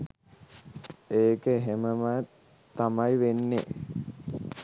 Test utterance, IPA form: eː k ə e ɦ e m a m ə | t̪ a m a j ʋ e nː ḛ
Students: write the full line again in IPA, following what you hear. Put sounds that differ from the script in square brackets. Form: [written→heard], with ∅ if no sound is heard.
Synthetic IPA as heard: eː k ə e ɦ e m [a→ə] m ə | t̪ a m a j ʋ e nː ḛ